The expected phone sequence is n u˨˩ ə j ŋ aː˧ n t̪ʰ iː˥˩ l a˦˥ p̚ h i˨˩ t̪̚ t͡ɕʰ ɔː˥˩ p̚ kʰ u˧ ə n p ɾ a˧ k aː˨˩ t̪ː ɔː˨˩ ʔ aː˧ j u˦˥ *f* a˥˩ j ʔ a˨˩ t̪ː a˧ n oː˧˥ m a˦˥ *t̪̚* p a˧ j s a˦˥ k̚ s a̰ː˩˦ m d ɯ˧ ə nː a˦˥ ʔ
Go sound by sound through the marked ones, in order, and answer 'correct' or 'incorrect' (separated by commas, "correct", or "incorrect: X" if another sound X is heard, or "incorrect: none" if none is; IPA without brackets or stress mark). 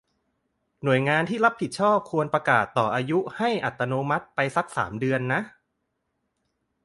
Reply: incorrect: h, correct